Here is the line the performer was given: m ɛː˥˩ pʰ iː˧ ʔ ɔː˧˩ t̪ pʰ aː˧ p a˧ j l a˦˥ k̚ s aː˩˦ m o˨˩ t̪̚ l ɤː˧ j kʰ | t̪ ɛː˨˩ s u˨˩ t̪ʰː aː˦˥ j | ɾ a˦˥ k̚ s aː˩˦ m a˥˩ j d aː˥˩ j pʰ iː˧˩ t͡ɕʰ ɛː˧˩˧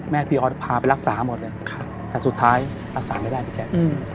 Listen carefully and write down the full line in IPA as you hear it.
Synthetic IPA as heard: m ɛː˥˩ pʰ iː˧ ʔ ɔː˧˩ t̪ pʰ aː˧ p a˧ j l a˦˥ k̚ s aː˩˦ m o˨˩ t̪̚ l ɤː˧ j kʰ | t̪ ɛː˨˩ s u˨˩ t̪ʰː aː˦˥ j | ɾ a˦˥ k̚ s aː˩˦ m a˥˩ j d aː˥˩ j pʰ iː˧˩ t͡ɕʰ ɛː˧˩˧